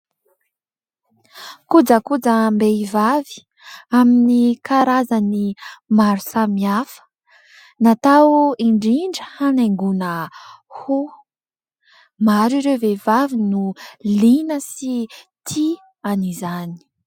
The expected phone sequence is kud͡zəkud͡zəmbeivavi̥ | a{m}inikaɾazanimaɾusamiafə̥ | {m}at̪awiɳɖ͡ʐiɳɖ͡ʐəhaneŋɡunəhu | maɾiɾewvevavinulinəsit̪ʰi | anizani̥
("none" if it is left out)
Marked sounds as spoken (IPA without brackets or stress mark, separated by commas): m, n